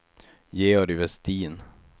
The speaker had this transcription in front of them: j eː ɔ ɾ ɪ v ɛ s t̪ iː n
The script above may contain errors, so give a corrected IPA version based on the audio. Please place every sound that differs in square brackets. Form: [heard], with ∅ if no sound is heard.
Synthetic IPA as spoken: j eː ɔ ɾ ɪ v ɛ s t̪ iː n